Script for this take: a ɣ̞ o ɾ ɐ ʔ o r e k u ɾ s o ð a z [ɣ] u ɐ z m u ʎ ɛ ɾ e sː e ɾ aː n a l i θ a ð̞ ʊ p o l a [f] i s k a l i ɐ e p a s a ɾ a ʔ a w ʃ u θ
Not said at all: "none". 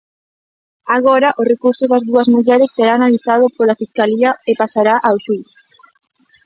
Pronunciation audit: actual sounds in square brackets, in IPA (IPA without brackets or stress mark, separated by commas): ð, f